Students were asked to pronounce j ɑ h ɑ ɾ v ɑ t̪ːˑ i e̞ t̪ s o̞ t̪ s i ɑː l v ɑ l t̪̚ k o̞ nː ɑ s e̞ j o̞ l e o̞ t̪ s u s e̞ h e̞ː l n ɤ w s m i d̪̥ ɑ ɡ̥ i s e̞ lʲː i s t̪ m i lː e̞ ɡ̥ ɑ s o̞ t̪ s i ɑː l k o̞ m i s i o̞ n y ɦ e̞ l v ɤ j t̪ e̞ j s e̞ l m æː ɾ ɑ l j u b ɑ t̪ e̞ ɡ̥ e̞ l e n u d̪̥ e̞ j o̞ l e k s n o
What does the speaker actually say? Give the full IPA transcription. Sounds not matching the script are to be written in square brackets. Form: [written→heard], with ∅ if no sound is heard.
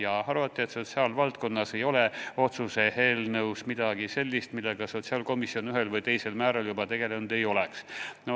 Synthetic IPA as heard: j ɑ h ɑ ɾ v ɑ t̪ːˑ i e̞ t̪ s o̞ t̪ s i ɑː l v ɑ l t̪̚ k o̞ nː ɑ s e̞ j o̞ l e o̞ t̪ s u s e̞ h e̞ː l n ɤ w s m i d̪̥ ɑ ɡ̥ i s e̞ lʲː i s t̪ m i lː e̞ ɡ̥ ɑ s o̞ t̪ s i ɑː l k o̞ m i s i o̞ n y ɦ e̞ l v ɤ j t̪ e̞ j s e̞ l m æː ɾ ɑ l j u b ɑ t̪ e̞ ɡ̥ e̞ l e n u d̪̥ e̞ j o̞ l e k s n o